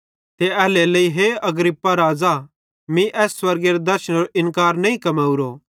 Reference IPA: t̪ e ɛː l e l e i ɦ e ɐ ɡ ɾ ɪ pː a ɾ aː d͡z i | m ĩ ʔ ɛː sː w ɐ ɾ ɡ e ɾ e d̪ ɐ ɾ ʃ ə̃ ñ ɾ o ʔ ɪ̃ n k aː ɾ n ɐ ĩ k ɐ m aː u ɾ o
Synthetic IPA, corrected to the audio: t̪ e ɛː l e l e i ɦ e ɐ ɡ ɾ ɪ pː a ɾ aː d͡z a | m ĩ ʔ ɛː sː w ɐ ɾ ɡ e ɾ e d̪ ɐ ɾ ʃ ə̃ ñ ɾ o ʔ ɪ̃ n k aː ɾ n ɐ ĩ k ɐ m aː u ɾ o